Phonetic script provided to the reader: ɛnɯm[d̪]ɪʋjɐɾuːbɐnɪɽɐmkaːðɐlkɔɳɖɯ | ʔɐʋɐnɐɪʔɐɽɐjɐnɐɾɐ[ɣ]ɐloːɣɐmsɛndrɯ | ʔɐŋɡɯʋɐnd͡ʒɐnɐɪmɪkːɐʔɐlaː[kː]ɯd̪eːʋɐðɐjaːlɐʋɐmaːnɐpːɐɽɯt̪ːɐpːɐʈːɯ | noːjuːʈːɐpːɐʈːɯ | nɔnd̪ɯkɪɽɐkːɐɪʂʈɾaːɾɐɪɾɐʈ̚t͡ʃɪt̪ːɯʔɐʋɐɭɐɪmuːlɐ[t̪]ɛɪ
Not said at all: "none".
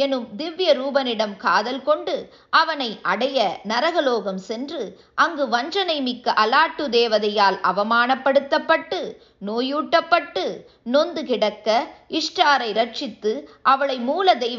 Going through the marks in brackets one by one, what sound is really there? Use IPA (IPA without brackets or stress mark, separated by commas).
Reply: d̪, ɣ, ʈː, d̪